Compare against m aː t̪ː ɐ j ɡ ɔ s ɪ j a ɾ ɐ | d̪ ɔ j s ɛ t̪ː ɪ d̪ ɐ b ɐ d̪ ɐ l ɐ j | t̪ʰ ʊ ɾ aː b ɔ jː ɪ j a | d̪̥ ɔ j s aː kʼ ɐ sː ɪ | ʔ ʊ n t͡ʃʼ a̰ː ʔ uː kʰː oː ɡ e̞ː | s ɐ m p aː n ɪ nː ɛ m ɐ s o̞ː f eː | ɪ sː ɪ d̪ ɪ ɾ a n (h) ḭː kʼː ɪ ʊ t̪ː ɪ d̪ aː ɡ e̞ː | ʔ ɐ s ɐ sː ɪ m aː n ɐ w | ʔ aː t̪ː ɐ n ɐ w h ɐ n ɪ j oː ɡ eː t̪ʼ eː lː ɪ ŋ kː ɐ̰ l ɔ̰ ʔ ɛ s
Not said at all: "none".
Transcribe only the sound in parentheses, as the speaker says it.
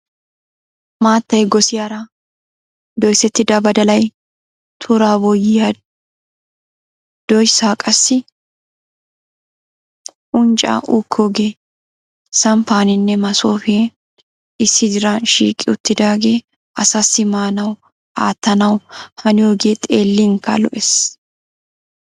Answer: ʃ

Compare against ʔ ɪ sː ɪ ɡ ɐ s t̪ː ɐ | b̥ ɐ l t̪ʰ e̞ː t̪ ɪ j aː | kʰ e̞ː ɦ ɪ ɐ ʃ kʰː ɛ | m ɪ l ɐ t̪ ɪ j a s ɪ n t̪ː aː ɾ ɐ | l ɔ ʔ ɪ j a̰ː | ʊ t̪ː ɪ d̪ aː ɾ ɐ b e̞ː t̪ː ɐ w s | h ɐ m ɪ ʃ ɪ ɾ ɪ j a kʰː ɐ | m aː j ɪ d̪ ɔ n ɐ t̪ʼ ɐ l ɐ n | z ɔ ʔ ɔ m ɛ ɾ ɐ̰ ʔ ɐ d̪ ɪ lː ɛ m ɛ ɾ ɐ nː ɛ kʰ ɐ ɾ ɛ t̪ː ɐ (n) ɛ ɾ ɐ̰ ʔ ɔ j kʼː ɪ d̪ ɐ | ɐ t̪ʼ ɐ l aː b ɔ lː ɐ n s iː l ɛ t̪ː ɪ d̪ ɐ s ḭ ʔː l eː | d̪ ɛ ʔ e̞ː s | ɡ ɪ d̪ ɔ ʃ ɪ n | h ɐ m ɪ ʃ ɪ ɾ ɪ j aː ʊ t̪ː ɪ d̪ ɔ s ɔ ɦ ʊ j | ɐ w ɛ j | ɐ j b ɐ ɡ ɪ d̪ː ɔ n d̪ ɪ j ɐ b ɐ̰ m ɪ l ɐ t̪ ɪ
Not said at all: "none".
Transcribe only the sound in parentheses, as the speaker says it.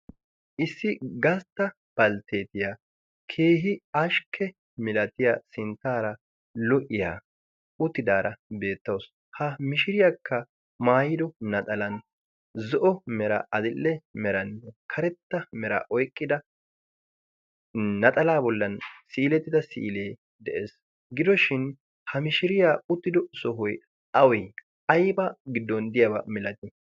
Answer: m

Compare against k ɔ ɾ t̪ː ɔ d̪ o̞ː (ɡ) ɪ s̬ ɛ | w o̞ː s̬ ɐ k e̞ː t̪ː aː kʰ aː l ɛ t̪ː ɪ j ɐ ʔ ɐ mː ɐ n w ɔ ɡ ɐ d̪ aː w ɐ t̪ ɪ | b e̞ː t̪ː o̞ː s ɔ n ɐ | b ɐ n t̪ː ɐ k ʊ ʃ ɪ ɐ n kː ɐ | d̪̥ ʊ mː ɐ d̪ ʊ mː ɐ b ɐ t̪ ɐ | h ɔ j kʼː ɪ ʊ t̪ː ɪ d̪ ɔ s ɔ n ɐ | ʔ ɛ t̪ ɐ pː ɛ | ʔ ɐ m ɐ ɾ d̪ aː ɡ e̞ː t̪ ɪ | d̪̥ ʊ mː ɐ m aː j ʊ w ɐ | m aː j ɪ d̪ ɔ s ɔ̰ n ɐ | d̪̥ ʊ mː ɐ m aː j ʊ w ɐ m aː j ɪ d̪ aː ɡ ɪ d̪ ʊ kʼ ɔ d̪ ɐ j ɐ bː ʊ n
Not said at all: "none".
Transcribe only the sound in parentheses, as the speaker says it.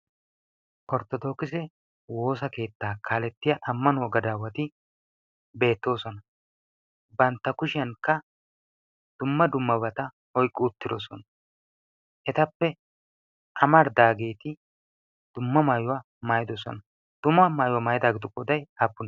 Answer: k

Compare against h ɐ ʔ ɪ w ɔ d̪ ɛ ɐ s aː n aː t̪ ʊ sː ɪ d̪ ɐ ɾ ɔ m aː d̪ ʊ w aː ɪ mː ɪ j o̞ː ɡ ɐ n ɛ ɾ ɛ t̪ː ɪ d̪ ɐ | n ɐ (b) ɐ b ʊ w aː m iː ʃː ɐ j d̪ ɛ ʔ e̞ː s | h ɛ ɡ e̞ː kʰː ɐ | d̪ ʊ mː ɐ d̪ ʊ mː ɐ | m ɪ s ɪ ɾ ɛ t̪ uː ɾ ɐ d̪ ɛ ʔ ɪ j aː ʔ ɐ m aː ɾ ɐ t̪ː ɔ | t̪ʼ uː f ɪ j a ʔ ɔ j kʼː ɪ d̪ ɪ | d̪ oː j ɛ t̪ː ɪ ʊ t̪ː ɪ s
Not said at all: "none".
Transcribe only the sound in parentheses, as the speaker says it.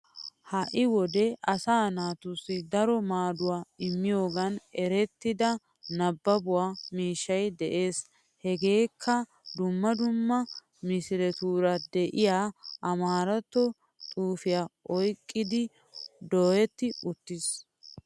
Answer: bː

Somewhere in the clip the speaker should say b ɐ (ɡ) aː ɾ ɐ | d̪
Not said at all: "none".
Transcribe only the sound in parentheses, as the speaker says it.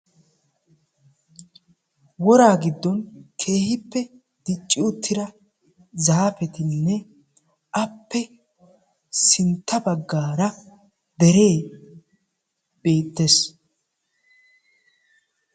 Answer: ɡː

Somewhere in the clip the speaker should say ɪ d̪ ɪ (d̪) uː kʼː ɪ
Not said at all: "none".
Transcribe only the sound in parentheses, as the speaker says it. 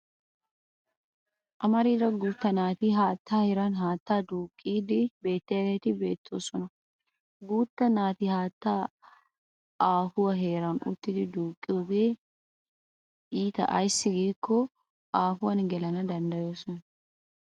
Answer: d̪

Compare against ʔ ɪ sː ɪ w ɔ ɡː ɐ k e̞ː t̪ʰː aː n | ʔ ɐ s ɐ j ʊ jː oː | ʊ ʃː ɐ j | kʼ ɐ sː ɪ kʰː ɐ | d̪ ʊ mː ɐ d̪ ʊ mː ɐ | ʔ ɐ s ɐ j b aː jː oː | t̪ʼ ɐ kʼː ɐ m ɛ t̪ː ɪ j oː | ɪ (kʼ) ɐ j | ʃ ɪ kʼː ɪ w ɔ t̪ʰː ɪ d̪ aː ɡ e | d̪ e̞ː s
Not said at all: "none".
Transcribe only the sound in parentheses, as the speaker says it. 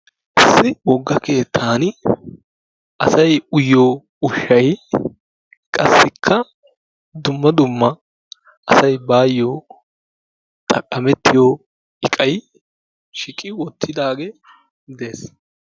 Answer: kʼ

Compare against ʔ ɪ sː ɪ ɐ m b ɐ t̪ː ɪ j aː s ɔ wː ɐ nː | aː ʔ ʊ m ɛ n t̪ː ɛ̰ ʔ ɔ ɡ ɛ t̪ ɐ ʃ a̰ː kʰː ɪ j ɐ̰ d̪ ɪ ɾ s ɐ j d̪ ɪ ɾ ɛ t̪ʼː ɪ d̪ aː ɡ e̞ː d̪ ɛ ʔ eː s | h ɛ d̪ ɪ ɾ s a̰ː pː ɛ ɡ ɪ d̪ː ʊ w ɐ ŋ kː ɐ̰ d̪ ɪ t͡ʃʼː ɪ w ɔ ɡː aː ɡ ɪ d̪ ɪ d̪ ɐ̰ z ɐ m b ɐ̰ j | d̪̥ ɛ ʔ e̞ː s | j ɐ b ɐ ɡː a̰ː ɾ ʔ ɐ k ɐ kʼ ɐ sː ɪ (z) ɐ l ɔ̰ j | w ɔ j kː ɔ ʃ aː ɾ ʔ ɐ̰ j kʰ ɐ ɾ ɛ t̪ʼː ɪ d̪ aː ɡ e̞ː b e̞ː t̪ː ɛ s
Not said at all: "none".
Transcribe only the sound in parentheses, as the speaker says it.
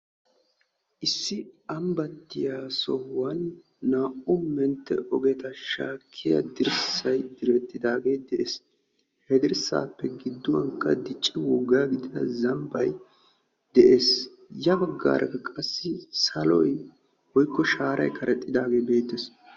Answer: s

